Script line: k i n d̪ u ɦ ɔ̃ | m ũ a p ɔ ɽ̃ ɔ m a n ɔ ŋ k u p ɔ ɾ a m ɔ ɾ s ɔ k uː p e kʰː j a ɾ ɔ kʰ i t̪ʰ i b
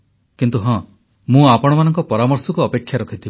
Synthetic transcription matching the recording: k i n t̪ u ɦ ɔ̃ | m ũ a p ɔ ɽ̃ ɔ m a n ɔ ŋ k ɔ p ɔ ɾ a m ɔ ɾ s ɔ k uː p e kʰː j a ɾ ɔ kʰ i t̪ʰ i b